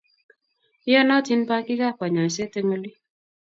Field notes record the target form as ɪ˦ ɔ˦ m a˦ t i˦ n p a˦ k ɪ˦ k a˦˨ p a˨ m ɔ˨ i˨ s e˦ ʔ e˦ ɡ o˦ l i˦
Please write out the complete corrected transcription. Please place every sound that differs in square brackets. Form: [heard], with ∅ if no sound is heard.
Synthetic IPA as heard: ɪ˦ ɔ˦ [n] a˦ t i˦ n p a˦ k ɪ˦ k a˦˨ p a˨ [ɲ] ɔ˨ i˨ s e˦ [t] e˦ [ŋ] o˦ l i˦